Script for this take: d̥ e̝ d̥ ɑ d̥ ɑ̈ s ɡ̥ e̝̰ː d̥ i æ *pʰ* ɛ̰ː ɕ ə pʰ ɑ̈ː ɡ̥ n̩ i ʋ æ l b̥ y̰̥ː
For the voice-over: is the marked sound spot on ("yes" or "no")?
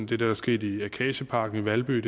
no